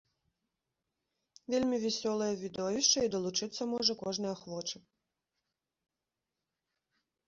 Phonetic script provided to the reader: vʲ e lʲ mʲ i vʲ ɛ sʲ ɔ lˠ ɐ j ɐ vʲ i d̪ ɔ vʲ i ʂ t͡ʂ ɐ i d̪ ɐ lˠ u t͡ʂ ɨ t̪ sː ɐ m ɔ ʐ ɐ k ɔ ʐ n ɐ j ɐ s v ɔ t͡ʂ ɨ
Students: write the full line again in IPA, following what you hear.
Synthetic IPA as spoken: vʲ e lʲ mʲ i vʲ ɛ sʲ ɔ lˠ ɐ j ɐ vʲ i d̪ ɔ vʲ i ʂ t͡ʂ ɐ i d̪ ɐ lˠ u t͡ʂ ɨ t̪ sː ɐ m ɔ ʐ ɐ k ɔ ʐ n ɐ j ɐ x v ɔ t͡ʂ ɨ